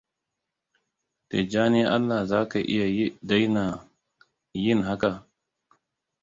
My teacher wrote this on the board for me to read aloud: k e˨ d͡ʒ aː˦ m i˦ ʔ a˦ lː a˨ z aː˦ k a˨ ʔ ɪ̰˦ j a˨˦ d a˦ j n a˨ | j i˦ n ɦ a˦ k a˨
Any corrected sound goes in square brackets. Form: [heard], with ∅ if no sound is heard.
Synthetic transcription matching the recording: [t] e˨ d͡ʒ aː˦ [n] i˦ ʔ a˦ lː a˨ z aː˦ k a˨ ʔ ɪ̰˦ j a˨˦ d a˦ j n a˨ | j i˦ n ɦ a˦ k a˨

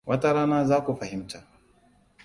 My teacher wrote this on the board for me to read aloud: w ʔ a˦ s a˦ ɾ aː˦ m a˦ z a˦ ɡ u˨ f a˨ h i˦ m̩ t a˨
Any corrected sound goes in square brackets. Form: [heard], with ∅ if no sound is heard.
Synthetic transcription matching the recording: w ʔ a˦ [t] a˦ ɾ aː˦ [n] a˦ z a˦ [k] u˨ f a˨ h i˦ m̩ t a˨

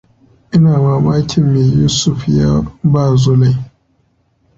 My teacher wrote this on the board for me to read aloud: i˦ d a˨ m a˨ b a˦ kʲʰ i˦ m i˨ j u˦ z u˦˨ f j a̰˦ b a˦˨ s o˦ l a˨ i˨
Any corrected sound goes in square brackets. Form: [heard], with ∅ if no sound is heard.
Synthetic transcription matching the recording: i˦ [n] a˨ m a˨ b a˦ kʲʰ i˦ m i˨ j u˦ [s] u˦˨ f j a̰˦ b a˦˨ [z] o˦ l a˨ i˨

